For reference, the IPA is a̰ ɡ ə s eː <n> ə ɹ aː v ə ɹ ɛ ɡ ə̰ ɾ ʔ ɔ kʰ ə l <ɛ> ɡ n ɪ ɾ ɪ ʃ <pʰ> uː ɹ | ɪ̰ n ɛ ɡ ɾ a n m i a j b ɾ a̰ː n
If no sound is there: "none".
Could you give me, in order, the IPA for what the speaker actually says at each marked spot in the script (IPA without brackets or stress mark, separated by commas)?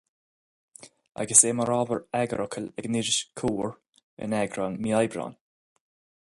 m, ɛ, kʰ